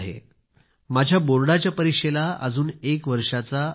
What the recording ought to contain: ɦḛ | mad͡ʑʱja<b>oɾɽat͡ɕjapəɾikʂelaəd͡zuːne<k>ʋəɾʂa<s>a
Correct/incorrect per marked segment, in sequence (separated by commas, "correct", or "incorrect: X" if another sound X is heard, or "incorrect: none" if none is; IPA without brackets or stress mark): correct, correct, incorrect: t͡s